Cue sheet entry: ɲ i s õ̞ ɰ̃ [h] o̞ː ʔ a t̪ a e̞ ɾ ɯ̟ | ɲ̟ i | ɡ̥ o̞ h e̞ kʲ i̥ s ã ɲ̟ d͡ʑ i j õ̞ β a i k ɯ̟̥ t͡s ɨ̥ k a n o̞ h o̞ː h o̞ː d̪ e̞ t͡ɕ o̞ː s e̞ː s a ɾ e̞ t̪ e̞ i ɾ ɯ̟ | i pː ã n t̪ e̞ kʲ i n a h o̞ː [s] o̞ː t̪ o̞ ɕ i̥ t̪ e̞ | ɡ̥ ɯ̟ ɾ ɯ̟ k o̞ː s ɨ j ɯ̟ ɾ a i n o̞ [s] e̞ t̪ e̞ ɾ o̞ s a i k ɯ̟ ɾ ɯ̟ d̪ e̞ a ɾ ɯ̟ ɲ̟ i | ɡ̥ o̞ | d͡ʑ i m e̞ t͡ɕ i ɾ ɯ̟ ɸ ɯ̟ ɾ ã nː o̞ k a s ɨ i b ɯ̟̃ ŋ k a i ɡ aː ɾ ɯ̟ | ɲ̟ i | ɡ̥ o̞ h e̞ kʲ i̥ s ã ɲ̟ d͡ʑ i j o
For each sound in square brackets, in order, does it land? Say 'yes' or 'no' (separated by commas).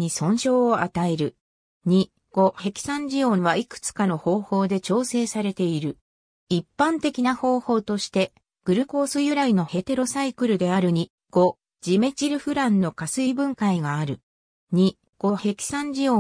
no, no, no